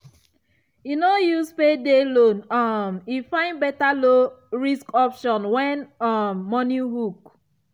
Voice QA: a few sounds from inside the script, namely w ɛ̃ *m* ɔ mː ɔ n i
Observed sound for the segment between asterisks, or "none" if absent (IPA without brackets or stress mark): n